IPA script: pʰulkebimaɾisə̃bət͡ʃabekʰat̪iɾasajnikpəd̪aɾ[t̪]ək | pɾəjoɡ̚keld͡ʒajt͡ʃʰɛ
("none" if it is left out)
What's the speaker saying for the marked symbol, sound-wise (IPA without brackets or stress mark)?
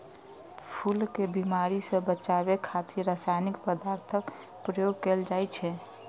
t̪ʰ